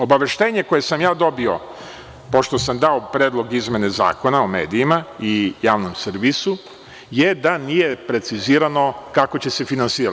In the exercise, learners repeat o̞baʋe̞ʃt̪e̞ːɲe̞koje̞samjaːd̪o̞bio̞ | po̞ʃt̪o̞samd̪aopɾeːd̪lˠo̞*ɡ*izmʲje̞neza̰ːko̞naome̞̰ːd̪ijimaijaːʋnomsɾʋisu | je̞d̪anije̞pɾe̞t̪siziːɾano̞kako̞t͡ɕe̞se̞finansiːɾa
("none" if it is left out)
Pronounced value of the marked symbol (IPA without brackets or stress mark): ɡ